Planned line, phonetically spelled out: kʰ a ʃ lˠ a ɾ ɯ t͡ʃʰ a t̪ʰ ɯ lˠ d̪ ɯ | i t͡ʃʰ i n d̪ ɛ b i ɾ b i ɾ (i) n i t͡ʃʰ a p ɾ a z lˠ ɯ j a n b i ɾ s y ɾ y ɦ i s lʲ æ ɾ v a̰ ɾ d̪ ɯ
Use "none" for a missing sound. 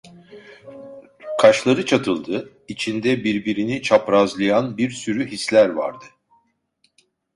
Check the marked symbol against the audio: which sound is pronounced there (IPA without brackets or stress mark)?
i